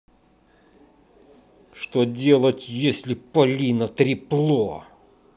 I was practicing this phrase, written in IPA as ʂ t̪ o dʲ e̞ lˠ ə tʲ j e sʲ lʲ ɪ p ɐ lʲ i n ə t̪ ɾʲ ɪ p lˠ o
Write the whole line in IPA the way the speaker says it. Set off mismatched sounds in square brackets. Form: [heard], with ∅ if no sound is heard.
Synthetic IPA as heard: ʂ t̪ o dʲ e̞ lˠ ə tʲ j e sʲ lʲ ɪ p ɐ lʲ i n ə t̪ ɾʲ ɪ p lˠ o